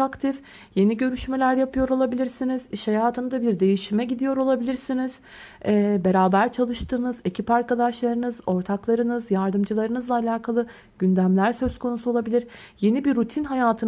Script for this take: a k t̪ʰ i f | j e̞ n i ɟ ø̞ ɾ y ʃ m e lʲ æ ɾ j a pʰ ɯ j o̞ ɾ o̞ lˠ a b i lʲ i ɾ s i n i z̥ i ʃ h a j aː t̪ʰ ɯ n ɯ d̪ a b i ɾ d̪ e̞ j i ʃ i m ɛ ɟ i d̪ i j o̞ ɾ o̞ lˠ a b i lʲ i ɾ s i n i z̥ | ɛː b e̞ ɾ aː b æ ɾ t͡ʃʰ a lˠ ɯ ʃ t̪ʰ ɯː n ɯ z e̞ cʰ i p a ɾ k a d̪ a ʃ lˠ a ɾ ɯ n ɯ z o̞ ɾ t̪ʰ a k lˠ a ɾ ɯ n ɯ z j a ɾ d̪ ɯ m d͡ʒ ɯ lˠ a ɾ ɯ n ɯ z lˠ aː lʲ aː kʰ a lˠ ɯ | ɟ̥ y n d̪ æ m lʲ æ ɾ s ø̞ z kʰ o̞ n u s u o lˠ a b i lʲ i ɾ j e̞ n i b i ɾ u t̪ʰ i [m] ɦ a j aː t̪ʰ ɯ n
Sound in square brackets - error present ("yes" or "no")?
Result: yes